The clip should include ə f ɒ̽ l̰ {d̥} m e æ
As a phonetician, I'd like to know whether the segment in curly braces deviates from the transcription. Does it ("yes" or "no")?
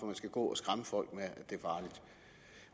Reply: yes